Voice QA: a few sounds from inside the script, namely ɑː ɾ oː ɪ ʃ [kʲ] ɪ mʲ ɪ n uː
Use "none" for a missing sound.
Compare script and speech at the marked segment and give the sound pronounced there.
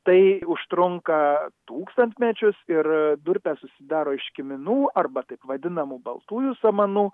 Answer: kʲ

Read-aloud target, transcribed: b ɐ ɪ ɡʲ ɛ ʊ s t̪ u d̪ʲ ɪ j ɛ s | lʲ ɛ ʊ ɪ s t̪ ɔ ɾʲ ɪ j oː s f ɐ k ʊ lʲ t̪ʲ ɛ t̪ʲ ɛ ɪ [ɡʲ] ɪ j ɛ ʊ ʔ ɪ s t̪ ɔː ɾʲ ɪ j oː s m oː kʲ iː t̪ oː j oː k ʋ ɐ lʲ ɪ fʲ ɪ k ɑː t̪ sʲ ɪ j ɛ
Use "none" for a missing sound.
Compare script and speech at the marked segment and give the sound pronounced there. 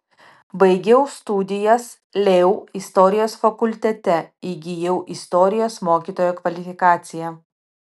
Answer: ɡʲ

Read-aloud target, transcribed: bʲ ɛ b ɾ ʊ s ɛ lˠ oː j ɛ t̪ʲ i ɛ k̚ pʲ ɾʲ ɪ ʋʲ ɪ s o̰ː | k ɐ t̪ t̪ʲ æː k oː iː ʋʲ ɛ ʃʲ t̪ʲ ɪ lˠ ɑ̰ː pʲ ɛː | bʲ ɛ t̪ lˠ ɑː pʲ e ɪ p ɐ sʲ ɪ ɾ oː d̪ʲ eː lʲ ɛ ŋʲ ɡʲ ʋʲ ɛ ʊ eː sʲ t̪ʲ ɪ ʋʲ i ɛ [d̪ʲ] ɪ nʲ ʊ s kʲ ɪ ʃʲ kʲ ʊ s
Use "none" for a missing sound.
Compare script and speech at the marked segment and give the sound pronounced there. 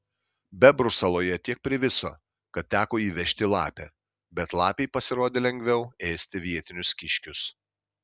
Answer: t̪ʲ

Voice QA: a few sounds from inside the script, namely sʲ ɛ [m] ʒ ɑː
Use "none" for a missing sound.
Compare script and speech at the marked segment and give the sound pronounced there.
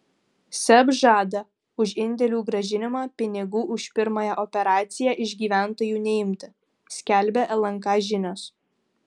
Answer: b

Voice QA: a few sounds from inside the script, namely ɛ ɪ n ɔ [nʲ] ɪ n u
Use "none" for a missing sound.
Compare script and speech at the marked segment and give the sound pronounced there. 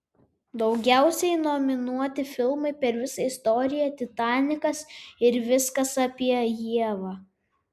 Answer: mʲ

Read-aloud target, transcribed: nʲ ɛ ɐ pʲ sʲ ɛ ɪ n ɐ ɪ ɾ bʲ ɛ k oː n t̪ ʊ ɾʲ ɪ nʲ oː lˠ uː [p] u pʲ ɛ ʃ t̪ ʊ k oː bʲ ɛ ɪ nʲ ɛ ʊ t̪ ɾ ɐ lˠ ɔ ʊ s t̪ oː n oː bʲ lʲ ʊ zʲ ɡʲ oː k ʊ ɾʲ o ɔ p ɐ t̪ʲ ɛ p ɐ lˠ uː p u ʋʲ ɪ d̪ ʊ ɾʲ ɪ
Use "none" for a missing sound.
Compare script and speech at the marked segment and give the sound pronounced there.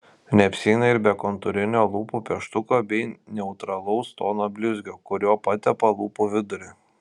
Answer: p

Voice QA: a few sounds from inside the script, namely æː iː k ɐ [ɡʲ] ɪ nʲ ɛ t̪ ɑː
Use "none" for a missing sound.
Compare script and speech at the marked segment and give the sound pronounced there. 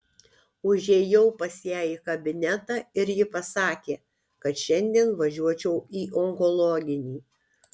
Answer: bʲ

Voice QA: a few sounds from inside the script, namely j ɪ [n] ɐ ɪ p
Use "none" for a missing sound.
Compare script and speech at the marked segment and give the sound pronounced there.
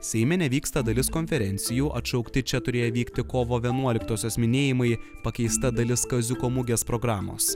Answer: m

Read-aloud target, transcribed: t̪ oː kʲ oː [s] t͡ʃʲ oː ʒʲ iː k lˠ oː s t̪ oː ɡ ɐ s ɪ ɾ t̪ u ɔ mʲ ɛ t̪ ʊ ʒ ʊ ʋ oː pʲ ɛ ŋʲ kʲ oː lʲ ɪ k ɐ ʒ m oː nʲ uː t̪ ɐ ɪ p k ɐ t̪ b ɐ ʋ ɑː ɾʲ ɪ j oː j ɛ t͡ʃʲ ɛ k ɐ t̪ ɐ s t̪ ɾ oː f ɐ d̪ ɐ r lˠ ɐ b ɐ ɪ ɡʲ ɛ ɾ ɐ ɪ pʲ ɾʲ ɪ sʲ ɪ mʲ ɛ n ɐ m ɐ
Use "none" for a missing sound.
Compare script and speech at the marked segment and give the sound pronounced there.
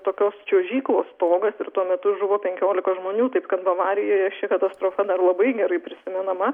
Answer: s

